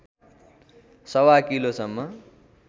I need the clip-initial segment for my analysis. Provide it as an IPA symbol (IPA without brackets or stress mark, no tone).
s